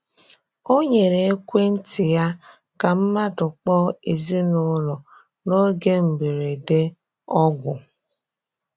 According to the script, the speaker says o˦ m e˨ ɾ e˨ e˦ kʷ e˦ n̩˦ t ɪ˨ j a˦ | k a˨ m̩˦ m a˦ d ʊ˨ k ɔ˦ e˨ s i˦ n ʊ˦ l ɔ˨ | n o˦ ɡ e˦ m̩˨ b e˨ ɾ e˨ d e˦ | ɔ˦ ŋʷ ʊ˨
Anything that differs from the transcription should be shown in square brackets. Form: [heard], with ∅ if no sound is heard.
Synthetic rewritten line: o˦ [ɲ] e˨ ɾ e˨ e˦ kʷ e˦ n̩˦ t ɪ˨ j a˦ | k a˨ m̩˦ m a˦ d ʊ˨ [k͡p] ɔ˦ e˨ [z] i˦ n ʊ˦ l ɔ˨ | n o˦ ɡ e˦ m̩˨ b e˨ ɾ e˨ d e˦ | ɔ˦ [ɡʷ] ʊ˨